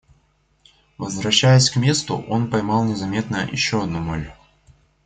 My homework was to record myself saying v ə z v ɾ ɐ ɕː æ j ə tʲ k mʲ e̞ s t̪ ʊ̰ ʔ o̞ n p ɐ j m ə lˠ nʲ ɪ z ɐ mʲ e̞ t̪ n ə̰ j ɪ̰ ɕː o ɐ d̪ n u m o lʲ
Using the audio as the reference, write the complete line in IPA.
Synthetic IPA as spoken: v ə z v ɾ ɐ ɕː æ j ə sʲ k mʲ e̞ s t̪ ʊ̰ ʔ o̞ n p ɐ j m ɑ lˠ nʲ ɪ z ɐ mʲ e̞ t̪ n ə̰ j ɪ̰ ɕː o ɐ d̪ n u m o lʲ